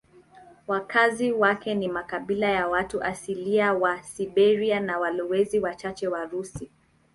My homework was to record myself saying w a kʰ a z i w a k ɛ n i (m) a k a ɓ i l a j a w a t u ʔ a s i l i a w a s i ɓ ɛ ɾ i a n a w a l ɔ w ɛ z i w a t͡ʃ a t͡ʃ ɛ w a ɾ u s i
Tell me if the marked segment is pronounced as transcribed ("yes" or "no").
yes